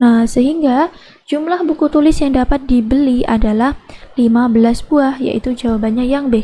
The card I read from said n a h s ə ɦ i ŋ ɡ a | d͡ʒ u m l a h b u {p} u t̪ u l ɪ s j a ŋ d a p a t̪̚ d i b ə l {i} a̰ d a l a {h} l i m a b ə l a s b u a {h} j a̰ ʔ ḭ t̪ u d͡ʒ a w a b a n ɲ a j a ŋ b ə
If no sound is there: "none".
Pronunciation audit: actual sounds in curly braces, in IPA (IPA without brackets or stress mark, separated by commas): k, i, h, h